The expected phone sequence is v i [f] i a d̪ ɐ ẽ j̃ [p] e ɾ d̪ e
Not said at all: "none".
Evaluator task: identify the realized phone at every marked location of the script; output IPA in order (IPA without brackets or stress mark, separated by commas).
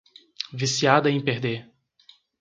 s, p